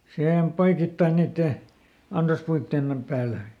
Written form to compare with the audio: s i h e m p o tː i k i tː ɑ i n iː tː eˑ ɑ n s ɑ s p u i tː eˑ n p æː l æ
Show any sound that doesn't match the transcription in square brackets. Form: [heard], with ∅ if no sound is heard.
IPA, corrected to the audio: s i h e m p o [∅] i k i tː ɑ i n iː tː eˑ ɑ n s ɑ s p u i tː eˑ n p æː l æ

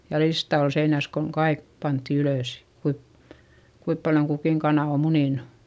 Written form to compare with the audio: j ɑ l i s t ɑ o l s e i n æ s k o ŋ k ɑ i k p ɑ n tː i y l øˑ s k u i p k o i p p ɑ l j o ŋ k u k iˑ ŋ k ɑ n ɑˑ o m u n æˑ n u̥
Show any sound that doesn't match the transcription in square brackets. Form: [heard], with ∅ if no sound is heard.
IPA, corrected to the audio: j ɑ l i s t ɑ o l s e i n æ s k o ŋ k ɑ i k p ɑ n tː i y l øˑ s k u i p k [u] i p p ɑ l j o ŋ k u k iˑ ŋ k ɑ n ɑˑ o m u n [iˑ] n u̥

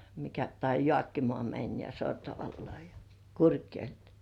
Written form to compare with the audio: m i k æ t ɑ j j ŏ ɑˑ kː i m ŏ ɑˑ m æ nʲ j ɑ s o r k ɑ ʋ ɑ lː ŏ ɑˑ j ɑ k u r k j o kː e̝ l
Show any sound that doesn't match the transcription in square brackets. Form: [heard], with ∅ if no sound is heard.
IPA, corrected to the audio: m i k æ t ɑ [i] j ŏ ɑˑ kː i m ŏ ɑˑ m æ nʲ j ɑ s o r [t] ɑ ʋ ɑ lː ŏ ɑˑ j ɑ k u r k j o [∅] e̝ l

